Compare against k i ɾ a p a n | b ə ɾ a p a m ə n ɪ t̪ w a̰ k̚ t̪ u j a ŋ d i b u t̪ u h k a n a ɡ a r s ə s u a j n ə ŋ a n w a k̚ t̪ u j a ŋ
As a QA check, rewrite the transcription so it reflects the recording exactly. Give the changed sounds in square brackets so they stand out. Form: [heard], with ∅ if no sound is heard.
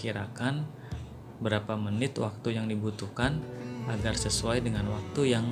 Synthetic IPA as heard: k i ɾ a [k] a n | b ə ɾ a p a m ə n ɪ t̪ w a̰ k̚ t̪ u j a ŋ d i b u t̪ u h k a n a ɡ a r s ə s u a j [d] ə ŋ a n w a k̚ t̪ u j a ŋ